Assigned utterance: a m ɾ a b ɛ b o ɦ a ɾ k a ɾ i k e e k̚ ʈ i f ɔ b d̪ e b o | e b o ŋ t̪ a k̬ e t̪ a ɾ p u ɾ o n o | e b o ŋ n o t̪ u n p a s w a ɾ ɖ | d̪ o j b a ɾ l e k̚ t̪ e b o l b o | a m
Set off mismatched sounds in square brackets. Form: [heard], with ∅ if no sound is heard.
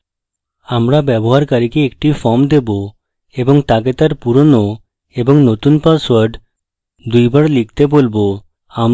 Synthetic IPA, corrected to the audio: a m ɾ a b ɛ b o ɦ a ɾ k a ɾ i k e e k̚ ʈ i f ɔ [m] d̪ e b o | e b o ŋ t̪ a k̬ e t̪ a ɾ p u ɾ o n o | e b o ŋ n o t̪ u n p a s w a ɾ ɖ | d̪ [u] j b a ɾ l [i] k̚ t̪ e b o l b o | a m